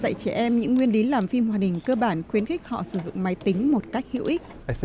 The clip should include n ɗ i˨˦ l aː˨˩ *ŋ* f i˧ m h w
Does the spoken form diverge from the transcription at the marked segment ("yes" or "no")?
yes